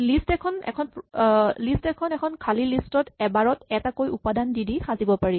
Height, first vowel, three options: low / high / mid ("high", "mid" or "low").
high